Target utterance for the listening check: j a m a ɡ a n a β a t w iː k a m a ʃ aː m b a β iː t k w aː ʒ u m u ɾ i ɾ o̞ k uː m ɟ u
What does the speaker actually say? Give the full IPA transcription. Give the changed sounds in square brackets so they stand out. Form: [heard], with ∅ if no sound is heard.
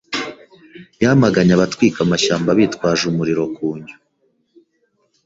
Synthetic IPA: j a m a ɡ a [ɲ] a β a t w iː k a m a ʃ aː m b a β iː t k w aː ʒ u m u ɾ i ɾ o̞ k uː [ɲ] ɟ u